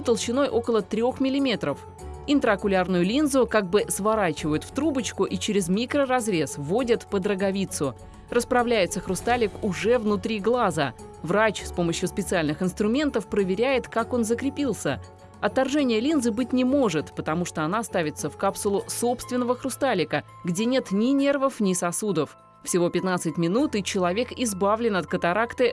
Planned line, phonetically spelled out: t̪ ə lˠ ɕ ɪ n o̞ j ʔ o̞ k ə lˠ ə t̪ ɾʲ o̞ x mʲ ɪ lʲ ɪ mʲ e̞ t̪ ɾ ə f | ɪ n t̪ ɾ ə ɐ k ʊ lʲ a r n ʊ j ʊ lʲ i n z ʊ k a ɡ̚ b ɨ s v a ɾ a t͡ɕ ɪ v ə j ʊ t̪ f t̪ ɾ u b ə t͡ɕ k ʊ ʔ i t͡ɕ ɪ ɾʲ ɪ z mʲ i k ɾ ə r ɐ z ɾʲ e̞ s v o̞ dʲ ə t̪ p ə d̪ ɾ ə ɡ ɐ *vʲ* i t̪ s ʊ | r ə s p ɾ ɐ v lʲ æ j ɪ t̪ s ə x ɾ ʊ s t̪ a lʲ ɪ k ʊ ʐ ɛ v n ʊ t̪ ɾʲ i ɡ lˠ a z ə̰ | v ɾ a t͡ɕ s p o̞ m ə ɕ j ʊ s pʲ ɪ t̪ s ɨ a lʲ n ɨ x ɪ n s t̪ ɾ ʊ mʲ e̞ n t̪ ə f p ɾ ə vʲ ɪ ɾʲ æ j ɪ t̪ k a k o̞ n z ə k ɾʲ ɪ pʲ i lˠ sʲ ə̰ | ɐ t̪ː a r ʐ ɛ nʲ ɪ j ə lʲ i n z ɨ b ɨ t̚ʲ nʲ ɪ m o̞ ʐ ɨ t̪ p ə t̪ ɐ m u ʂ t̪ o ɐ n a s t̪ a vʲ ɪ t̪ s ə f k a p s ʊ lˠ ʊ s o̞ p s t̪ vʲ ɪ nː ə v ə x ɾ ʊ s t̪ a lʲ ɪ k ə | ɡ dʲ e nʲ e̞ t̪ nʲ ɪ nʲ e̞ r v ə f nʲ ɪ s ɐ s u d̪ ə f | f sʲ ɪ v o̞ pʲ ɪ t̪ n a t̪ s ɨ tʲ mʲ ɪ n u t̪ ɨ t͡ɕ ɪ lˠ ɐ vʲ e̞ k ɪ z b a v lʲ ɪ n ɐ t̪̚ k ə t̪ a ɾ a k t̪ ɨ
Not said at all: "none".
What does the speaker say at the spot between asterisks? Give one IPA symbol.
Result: vʲ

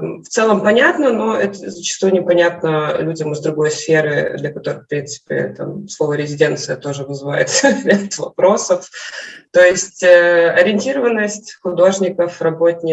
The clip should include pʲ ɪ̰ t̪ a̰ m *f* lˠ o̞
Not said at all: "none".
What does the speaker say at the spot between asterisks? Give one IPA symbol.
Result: s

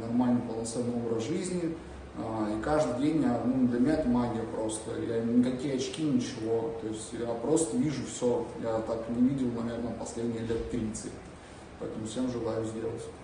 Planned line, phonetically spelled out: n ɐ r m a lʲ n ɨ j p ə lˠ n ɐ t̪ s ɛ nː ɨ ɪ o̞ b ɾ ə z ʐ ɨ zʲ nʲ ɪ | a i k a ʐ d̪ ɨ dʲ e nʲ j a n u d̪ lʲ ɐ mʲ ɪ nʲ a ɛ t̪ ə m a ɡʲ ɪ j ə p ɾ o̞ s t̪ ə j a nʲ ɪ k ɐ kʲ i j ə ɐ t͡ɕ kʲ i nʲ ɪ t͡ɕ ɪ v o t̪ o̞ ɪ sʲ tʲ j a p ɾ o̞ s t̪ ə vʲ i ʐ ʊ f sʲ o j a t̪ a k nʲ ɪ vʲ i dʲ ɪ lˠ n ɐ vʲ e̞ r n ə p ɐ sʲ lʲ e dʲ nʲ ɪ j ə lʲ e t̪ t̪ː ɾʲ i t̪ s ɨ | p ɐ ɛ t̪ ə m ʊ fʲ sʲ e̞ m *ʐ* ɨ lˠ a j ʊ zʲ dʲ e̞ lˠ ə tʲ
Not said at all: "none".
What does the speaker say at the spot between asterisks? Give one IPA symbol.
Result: ʐ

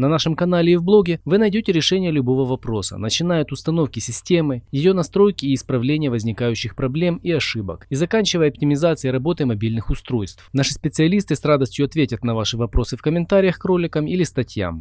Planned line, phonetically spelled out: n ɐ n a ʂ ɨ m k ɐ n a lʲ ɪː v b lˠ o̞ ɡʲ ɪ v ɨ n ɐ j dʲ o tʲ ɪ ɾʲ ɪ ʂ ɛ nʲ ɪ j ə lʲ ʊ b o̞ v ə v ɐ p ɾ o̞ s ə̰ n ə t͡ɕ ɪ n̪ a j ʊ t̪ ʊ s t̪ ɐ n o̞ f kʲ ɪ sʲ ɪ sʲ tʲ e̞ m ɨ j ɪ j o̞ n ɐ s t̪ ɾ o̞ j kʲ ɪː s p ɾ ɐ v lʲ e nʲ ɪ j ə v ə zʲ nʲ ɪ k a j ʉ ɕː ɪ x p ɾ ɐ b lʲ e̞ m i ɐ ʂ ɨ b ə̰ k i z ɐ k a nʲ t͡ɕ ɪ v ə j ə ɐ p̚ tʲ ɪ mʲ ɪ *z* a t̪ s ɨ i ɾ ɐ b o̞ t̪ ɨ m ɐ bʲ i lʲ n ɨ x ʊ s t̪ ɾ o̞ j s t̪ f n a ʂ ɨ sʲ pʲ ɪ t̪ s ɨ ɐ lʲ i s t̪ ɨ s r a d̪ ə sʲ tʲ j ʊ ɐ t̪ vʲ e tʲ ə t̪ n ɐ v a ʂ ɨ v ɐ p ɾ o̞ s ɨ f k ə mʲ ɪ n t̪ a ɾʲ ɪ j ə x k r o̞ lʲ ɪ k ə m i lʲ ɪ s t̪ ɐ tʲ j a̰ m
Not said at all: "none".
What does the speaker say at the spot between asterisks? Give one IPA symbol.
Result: z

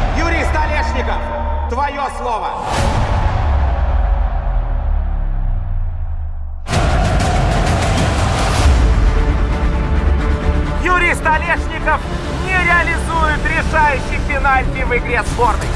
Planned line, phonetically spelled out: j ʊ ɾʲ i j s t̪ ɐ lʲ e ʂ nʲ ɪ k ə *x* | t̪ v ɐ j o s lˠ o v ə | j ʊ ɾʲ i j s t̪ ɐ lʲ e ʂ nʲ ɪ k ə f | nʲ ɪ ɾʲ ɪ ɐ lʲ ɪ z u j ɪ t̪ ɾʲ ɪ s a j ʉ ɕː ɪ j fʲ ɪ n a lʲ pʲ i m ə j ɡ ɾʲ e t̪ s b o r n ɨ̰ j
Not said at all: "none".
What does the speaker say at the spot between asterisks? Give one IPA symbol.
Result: f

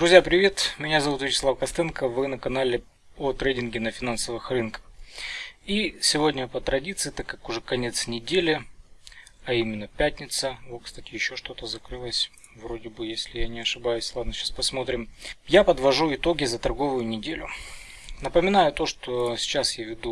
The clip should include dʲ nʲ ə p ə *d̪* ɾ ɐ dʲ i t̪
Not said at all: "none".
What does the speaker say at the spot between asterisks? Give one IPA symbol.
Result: t̪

